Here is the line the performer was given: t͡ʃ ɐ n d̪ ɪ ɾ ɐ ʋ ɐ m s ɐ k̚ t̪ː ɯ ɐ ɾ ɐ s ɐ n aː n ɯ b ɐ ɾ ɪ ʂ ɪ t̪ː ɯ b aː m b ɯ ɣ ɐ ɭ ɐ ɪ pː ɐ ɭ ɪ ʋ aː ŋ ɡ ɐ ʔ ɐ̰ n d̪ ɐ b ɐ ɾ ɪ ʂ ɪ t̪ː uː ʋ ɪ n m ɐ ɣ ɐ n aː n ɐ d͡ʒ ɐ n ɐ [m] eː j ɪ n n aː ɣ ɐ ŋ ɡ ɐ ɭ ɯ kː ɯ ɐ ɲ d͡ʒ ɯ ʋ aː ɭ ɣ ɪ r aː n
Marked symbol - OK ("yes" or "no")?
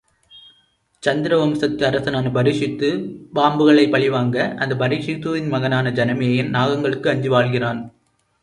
yes